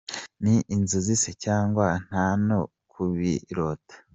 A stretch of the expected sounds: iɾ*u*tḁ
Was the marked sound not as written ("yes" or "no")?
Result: yes